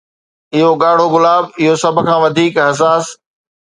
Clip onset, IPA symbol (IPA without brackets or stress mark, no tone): ɪ